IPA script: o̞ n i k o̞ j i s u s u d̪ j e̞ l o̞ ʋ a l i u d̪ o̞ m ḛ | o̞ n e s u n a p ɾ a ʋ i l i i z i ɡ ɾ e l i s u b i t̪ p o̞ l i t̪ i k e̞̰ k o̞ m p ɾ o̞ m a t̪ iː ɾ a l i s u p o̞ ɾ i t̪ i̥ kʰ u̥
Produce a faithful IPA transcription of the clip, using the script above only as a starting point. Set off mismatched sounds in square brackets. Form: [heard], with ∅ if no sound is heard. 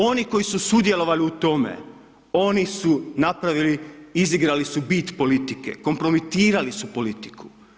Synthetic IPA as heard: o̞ n i k o̞ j i s u s u d̪ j e̞ l o̞ ʋ a l i u [t̪] o̞ m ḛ | o̞ n [i] s u n a p ɾ a ʋ i l i i z i ɡ ɾ [a] l i s u b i t̪ p o̞ l i t̪ i k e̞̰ k o̞ m p ɾ o̞ m [i] t̪ iː ɾ a l i s u p o̞ [l] i t̪ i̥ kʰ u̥